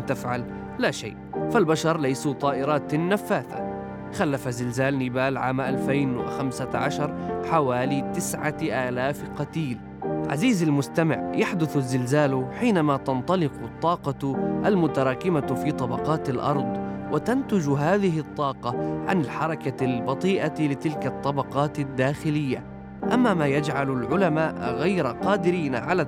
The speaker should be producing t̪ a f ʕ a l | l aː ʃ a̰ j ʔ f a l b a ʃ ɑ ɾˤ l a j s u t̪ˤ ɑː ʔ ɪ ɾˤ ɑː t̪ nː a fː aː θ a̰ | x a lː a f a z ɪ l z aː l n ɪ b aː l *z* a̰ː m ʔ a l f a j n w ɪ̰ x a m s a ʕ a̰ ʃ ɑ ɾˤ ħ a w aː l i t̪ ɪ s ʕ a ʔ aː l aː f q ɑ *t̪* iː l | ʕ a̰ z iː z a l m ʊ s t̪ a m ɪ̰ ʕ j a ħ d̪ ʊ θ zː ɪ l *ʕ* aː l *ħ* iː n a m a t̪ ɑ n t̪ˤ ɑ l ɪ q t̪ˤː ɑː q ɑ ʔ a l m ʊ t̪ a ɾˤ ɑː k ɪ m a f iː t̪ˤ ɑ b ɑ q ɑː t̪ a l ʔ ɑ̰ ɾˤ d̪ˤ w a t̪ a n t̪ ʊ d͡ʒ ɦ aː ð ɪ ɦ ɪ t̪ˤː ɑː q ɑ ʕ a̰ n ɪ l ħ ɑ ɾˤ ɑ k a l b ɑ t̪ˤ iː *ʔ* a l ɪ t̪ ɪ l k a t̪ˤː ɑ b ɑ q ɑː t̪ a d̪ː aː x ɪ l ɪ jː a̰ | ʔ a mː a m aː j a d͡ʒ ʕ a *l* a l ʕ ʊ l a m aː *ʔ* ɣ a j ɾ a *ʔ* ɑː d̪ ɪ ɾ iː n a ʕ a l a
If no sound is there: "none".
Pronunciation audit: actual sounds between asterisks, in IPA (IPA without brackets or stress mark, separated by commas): ʕ, t̪, z, ħ, ʔ, l, ʔ, q